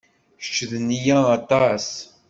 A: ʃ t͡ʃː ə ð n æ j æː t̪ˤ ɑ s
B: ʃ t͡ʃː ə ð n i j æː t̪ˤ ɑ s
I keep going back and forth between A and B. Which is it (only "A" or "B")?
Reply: B